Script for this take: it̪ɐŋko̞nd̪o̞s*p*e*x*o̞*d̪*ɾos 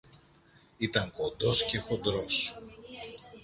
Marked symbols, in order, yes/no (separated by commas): no, yes, yes